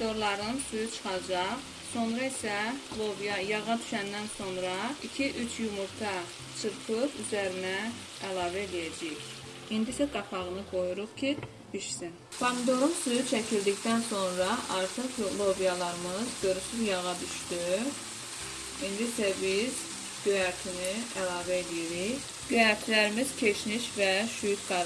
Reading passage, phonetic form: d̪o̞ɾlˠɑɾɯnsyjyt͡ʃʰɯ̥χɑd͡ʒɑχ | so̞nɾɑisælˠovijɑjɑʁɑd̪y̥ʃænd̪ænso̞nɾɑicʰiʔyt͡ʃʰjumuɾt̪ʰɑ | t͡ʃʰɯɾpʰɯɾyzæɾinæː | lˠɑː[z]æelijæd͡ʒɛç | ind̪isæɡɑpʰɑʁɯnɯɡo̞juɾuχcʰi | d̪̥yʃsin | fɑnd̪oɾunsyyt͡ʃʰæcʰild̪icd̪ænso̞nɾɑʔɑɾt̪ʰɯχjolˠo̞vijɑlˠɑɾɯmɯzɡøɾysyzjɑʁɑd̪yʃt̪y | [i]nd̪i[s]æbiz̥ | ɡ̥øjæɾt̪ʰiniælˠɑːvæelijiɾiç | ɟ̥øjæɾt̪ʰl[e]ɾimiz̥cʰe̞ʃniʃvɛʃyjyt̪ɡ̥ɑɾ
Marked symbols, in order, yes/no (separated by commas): no, yes, yes, no